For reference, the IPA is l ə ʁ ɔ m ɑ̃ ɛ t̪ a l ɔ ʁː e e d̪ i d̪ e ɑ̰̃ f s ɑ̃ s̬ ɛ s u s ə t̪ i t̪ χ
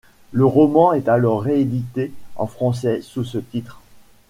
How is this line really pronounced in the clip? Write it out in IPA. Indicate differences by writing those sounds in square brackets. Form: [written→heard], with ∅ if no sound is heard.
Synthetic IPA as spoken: l ə ʁ ɔ m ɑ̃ ɛ t̪ a l ɔ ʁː e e d̪ i [d̪→t̪] e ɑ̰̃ f [s→χ] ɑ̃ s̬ ɛ s u s ə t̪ i t̪ χ